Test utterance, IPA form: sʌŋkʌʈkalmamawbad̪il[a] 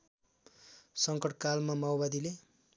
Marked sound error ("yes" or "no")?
yes